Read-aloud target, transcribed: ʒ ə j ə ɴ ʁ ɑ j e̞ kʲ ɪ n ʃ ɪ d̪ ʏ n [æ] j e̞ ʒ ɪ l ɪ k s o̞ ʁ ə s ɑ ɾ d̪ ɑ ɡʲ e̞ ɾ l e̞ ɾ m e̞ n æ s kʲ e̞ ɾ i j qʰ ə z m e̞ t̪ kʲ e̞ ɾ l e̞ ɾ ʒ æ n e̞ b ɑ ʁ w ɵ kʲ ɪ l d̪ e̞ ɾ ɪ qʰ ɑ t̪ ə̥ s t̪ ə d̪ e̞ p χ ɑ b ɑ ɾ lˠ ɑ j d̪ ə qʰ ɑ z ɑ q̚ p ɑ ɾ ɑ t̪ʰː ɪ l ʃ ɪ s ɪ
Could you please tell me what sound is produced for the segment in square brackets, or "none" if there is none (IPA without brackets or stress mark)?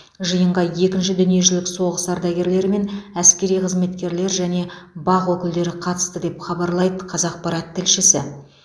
i